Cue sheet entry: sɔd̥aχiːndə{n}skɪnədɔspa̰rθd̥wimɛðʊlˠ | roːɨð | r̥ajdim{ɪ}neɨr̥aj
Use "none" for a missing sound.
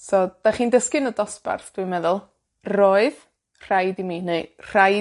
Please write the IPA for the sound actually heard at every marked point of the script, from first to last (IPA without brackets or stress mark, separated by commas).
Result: none, i